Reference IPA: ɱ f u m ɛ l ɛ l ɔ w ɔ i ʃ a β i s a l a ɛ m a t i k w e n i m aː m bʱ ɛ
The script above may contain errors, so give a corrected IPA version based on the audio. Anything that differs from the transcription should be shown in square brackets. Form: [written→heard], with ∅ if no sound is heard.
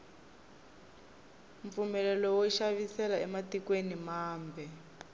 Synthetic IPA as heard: ɱ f u m ɛ l ɛ l ɔ w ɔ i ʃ a β i s [a→ɛ] l a ɛ m a t i k w e n i m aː m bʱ ɛ